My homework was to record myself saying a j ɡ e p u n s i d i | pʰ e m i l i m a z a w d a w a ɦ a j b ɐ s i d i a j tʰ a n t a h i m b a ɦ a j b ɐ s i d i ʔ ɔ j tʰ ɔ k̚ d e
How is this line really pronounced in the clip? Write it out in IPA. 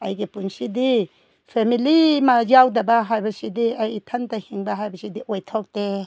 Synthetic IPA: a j ɡ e p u n s i d i | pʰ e m i l i m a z a w d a b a ɦ a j b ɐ s i d i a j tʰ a n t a h i ŋ b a ɦ a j b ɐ s i d i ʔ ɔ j tʰ ɔ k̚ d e